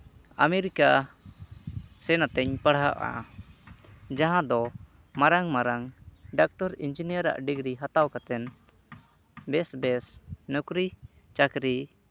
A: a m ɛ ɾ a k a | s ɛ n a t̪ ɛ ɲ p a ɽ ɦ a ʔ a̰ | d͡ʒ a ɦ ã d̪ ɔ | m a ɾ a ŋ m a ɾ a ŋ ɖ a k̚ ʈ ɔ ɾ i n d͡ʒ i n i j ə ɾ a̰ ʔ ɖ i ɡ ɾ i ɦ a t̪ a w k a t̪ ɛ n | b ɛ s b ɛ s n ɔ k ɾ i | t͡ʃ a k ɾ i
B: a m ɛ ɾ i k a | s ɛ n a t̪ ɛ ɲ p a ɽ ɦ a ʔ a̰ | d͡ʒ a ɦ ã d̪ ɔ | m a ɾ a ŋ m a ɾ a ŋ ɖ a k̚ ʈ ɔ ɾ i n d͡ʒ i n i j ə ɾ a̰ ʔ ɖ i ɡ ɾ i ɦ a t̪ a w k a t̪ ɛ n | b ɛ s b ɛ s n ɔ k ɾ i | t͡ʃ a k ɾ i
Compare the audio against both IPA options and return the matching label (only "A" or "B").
B